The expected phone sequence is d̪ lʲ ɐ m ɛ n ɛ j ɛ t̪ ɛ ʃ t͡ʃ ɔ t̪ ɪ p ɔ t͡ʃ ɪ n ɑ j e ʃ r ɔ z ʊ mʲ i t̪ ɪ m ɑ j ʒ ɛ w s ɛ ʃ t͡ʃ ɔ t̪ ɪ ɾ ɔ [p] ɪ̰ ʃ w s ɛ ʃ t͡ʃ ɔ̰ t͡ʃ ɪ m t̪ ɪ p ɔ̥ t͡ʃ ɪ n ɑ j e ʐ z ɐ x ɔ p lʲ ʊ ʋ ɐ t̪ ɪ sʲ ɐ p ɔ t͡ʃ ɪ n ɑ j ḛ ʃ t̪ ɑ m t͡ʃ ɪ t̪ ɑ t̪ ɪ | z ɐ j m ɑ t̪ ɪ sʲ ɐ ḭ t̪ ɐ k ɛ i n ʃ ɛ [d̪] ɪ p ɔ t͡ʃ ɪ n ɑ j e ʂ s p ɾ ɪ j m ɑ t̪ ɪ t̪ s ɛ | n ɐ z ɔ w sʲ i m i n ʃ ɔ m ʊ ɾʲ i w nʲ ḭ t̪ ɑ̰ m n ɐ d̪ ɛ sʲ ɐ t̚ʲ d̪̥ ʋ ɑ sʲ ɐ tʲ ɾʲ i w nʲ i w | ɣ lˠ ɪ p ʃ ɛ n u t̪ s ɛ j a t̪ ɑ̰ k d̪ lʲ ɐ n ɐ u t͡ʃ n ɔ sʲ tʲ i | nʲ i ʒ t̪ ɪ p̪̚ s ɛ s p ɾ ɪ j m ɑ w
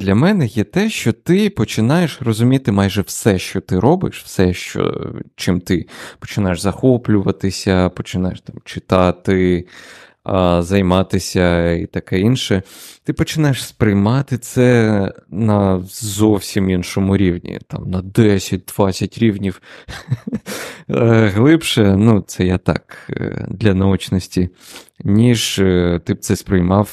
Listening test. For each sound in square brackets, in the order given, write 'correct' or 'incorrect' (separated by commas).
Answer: incorrect, incorrect